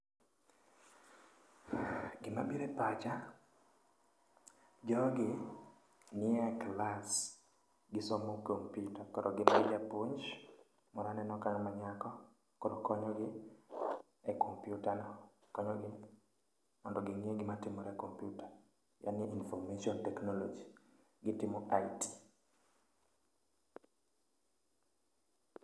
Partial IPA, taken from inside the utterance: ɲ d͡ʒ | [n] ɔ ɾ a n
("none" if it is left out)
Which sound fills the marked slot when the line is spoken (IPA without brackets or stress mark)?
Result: m